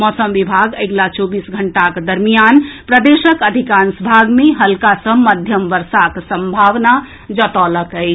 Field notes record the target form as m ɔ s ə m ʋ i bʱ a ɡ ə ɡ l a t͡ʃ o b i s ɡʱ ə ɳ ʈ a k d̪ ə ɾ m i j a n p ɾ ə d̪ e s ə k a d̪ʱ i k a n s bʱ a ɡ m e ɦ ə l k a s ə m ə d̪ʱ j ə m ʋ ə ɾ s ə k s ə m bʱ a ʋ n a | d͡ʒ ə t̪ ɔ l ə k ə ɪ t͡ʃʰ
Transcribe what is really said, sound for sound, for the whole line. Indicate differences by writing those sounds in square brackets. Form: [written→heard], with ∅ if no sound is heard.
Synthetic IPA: m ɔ s ə m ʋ i bʱ a ɡ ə ɡ l a t͡ʃ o b i s ɡʱ ə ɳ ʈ a k d̪ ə ɾ m i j a n p ɾ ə d̪ e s ə k [a→ə] d̪ʱ i k a n s bʱ a ɡ m e ɦ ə l k a s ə m ə d̪ʱ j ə m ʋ ə ɾ s [ə→a] k s ə m bʱ a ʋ n a | d͡ʒ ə t̪ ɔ l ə k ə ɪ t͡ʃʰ